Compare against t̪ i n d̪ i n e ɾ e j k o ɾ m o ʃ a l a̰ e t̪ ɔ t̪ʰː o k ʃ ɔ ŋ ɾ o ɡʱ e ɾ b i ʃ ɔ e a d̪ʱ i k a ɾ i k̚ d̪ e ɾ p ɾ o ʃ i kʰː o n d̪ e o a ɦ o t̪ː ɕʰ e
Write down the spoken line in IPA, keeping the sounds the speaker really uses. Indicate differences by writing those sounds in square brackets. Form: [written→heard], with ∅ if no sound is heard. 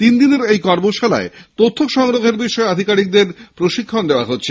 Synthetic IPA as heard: t̪ i n d̪ i n e ɾ e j k [o→ɔ] ɾ m o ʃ a l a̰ e t̪ [ɔ→o] t̪ʰː o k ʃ ɔ ŋ ɾ o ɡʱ e ɾ b i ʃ ɔ e a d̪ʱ i k a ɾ i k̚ d̪ e ɾ p ɾ o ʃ i kʰː o n d̪ e o a ɦ o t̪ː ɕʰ e